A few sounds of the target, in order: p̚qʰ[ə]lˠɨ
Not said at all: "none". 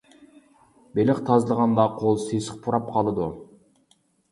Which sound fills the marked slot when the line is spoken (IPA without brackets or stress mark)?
ɑ